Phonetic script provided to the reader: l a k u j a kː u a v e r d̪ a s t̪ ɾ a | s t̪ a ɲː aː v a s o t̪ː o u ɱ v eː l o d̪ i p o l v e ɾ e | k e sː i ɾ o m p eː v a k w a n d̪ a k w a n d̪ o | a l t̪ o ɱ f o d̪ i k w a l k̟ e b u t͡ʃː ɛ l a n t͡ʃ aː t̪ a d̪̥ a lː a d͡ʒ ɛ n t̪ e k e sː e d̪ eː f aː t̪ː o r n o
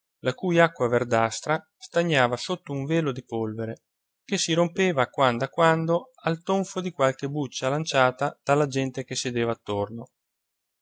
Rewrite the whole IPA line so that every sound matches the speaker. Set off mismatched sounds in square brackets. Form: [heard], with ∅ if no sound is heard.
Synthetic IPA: l a k u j a kː [w] a v e r d̪ a s t̪ ɾ a | s t̪ a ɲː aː v a s o t̪ː o u ɱ v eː l o d̪ i p o l v e ɾ e | k e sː i ɾ o m p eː v a k w a n d̪ a k w a n d̪ o | a l t̪ o ɱ f o d̪ i k w a l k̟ e b u t͡ʃː [a] l a n t͡ʃ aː t̪ a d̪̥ a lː a d͡ʒ ɛ n t̪ e k e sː e d̪ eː [v] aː t̪ː o r n o